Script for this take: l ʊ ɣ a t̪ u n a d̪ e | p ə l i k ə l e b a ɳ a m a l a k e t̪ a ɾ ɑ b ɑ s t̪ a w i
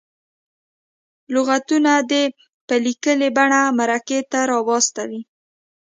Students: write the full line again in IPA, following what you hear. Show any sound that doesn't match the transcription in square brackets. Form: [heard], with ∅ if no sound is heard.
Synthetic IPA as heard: l ʊ ɣ a t̪ u n a d̪ e | p ə l i k ə l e b a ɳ a m a [ɾ] a k e t̪ a ɾ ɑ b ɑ s t̪ a w i